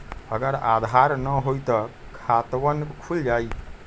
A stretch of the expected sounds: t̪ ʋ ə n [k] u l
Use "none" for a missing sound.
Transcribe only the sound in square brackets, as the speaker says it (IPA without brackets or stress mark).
kʰ